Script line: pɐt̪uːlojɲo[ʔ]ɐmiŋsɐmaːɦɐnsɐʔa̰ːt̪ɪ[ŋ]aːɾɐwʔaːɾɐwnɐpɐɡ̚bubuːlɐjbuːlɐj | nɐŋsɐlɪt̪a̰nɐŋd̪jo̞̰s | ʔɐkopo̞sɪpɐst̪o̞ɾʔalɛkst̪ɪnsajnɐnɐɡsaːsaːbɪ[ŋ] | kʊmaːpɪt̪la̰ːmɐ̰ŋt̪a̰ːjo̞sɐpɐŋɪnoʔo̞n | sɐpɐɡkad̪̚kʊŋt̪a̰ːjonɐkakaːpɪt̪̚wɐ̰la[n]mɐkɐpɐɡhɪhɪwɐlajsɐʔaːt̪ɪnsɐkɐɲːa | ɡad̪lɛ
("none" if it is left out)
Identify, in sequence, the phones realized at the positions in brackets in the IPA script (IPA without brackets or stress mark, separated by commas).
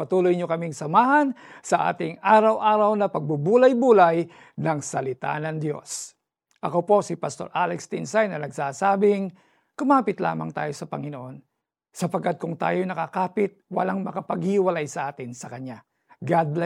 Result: k, ŋ, ŋ, ŋ